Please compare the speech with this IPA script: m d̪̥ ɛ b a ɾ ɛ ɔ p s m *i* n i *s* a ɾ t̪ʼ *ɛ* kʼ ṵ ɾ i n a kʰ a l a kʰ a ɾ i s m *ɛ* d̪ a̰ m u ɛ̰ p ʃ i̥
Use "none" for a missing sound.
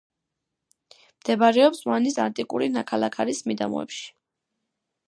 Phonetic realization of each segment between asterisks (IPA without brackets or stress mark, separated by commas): a, s, i, i